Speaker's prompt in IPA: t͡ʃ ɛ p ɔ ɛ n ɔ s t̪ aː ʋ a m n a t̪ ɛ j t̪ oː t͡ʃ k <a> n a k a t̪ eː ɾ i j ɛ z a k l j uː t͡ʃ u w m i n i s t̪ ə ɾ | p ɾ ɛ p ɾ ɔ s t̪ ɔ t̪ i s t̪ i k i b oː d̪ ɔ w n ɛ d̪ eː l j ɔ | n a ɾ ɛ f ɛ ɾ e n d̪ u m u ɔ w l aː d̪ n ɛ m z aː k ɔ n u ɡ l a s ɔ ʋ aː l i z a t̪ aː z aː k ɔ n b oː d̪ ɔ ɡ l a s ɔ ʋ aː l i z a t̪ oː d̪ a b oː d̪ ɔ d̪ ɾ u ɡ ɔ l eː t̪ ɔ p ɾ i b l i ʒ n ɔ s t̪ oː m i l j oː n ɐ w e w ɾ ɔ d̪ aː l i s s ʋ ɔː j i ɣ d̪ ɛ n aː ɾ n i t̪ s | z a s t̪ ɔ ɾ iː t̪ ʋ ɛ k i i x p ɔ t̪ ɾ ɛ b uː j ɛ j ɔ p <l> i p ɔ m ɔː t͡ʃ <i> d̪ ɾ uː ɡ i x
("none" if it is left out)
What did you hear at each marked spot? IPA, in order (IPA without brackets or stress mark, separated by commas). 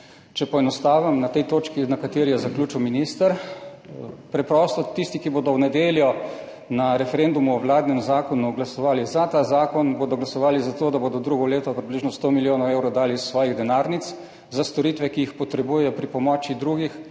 i, ɾ, i